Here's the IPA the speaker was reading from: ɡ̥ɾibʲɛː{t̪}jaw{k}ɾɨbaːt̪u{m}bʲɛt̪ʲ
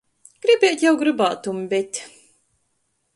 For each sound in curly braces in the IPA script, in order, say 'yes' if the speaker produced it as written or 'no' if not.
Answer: yes, no, yes

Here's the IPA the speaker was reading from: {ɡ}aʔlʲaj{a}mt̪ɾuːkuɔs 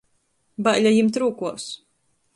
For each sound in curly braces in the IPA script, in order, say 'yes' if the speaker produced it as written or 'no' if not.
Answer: no, no

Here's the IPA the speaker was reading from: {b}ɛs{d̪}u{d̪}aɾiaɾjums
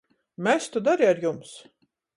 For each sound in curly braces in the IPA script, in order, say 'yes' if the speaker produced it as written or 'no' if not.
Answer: no, no, yes

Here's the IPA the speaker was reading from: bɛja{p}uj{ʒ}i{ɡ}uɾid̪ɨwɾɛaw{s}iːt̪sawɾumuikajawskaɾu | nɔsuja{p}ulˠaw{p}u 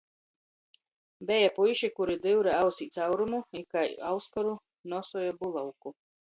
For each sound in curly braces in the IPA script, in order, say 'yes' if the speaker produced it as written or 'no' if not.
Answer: yes, no, no, yes, no, no

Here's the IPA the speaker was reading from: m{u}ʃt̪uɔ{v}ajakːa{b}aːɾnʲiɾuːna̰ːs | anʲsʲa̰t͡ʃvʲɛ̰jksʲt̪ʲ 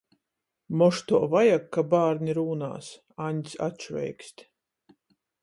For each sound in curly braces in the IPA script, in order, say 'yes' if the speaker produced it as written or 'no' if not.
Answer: no, yes, yes

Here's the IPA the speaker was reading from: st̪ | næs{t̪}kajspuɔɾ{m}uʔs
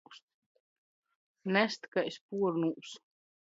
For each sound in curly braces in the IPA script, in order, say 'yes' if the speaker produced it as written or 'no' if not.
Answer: yes, no

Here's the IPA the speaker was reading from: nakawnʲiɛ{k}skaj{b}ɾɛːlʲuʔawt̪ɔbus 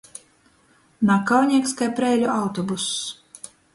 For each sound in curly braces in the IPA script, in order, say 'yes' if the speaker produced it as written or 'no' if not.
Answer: yes, no

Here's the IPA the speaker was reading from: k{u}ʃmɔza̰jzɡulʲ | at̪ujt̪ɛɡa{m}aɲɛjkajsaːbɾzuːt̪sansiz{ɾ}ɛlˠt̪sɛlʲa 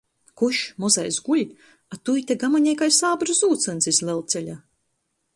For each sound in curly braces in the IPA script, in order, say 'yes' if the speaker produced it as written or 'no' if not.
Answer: yes, yes, no

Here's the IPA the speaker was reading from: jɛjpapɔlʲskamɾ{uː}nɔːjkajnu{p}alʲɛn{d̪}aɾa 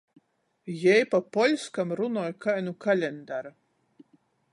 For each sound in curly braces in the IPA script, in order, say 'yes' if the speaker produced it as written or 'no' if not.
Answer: no, no, yes

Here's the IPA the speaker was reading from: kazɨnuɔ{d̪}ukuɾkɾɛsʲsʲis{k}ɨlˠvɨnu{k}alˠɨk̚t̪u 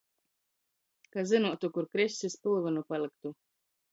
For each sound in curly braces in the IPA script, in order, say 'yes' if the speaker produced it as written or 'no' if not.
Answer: no, no, no

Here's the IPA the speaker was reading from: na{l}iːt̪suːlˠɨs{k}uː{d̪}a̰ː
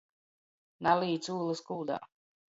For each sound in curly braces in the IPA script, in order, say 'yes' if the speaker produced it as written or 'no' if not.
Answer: yes, yes, yes

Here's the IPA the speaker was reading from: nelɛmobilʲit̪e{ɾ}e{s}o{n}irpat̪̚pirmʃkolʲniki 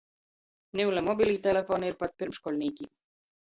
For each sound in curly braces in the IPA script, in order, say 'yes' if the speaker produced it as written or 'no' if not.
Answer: no, no, yes

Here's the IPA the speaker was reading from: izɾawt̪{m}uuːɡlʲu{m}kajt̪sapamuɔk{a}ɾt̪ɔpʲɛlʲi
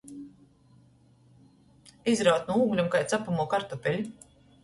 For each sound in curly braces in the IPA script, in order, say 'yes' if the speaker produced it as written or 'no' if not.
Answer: no, yes, yes

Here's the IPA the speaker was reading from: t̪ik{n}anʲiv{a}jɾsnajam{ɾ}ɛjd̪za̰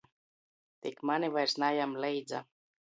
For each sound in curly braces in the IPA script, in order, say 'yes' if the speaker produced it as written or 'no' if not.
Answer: no, yes, no

